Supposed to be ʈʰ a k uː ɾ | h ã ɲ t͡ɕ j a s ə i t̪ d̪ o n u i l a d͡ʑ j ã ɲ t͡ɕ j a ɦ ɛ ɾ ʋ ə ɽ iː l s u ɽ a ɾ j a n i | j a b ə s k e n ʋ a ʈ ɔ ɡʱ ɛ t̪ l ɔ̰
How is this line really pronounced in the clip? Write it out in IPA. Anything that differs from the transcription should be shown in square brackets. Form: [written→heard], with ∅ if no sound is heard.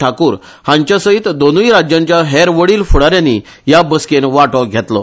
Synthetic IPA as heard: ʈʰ a k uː ɾ | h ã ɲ t͡ɕ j a s ə i t̪ d̪ o n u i [l→ɾ] a d͡ʑ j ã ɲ t͡ɕ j a ɦ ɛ ɾ ʋ ə ɽ iː l [s→f] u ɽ a ɾ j a n i | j a b ə s k e n ʋ a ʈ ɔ ɡʱ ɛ t̪ l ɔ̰